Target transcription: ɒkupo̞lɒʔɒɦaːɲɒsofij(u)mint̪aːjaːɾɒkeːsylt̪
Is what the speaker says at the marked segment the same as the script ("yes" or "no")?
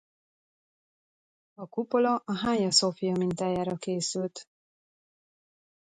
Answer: no